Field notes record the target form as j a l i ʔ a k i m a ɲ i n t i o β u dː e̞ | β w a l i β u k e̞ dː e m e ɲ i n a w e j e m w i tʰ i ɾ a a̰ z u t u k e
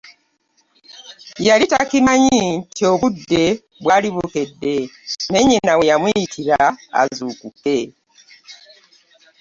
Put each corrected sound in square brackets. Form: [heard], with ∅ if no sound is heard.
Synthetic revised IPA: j a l i [t] a k i m a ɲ i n t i o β u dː e̞ | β w a l i β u k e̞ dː e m e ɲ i n a w e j [a] m w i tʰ i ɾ a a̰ z u [k] u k e